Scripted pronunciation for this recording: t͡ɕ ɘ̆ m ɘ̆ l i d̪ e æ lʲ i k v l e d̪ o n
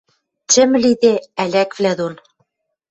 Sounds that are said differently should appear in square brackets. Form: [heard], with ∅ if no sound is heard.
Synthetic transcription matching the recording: t͡ɕ ɘ̆ m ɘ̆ l i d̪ e æ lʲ [æ] k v l [æ] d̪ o n